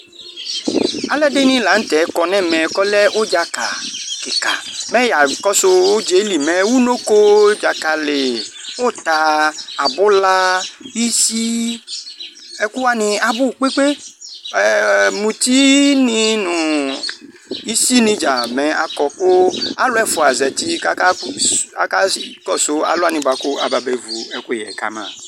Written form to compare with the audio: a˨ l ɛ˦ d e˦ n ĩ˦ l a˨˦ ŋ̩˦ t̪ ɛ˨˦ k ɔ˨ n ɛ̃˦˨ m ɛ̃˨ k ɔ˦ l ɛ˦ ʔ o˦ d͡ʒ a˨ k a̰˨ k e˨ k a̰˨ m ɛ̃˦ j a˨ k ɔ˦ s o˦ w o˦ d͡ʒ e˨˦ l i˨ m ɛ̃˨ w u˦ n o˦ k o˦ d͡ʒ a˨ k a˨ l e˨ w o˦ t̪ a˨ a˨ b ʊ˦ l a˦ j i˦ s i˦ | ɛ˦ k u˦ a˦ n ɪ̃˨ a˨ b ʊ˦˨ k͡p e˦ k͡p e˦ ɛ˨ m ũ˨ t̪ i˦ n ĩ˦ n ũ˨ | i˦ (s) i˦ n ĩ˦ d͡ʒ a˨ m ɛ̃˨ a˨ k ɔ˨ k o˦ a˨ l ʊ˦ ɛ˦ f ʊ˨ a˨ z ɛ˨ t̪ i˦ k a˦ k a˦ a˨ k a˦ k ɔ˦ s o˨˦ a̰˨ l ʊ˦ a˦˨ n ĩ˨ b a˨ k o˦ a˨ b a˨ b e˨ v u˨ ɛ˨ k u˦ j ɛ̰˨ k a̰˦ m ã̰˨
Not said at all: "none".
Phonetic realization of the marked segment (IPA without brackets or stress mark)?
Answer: s